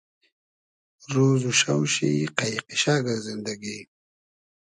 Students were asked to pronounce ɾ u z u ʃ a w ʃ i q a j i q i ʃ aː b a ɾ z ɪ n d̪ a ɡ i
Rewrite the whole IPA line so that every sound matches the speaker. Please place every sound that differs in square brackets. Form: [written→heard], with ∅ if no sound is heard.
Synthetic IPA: ɾ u z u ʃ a w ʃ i q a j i q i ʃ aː [b→ɡ] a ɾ z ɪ n d̪ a ɡ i